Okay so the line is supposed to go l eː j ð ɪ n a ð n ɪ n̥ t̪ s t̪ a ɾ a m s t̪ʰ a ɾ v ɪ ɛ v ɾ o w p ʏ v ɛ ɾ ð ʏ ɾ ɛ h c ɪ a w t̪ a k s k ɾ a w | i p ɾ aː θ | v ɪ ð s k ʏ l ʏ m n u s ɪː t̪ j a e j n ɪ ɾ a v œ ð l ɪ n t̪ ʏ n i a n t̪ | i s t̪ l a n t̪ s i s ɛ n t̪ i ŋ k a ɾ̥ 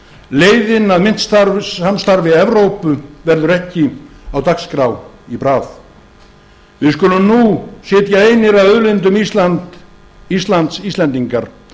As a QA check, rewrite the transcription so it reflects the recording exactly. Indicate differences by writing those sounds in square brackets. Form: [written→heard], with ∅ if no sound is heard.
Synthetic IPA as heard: l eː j ð ɪ n a ð [n→m] ɪ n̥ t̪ s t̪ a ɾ a m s [t̪ʰ→t̪] a ɾ v ɪ ɛ v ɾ o w p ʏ v ɛ ɾ ð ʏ ɾ ɛ h c ɪ a w t̪ a k s k ɾ a w | i p ɾ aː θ | v ɪ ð s k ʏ l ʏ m n u s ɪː t̪ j a e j n ɪ ɾ a [v→ð] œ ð l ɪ n t̪ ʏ [n→m] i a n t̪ | i s t̪ l a n t̪ s i s ɛ n t̪ i ŋ k a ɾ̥